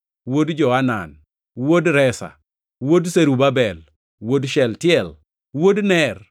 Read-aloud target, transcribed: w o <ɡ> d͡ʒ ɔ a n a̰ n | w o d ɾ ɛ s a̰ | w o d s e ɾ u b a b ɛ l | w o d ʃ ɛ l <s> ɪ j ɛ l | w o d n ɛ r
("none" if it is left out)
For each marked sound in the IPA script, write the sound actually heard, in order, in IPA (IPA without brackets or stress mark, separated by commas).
d, t